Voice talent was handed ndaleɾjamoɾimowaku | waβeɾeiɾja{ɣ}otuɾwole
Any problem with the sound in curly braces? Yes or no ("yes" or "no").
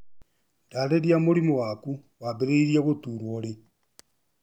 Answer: no